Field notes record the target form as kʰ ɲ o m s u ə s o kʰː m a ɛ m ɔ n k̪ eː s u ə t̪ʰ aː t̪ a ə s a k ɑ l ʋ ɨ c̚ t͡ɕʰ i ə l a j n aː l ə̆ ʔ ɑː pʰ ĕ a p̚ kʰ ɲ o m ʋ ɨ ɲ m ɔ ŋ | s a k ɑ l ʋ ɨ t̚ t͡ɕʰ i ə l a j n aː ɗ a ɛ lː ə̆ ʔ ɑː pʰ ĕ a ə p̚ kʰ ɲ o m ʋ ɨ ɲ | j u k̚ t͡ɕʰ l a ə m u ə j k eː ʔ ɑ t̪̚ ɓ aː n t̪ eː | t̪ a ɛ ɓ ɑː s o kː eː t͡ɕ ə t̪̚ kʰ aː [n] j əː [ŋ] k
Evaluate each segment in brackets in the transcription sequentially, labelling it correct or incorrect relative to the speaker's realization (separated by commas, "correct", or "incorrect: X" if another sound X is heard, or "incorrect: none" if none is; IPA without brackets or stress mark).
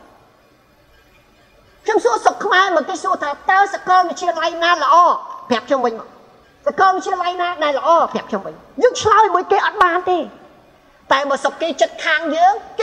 incorrect: ŋ, correct